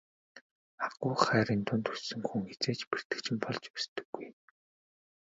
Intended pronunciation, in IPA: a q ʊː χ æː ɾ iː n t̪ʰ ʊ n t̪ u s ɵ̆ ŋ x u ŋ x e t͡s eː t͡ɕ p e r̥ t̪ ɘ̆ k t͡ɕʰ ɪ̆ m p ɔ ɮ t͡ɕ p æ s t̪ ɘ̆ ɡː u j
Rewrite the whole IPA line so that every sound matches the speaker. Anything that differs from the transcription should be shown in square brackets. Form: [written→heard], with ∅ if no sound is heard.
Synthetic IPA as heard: a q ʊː χ æː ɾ iː n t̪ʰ ʊ n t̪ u s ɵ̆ ŋ x u ŋ x e t͡s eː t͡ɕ p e r̥ t̪ ɘ̆ k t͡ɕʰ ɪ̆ m p ɔ ɮ t͡ɕ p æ s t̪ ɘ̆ ɡː u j